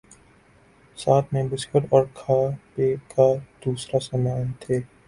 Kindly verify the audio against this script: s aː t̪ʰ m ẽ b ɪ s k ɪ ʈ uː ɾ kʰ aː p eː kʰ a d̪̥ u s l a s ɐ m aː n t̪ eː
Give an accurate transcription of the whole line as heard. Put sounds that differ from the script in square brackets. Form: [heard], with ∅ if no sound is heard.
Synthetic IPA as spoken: s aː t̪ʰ m ẽ b ɪ s k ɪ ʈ [ɔː] ɾ kʰ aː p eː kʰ a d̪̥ [uː] s [ɾ] a s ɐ m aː n [t̪ʰ] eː